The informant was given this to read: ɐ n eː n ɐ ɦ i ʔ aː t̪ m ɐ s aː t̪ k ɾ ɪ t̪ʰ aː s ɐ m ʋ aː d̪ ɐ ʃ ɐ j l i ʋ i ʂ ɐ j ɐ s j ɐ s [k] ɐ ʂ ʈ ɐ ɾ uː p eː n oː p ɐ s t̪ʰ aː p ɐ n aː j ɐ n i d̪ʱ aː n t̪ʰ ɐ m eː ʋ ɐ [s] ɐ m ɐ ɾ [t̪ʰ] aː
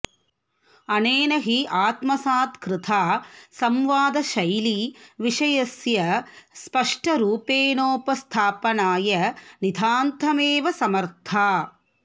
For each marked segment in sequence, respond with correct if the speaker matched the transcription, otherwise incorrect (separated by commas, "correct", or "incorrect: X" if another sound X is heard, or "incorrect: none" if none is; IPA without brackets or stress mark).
incorrect: p, correct, correct